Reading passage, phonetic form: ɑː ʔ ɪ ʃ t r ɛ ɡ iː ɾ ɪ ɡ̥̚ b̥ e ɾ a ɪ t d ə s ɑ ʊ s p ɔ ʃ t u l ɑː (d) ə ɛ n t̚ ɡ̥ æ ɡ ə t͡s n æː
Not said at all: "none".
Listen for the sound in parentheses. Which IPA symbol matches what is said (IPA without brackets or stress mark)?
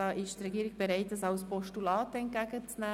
t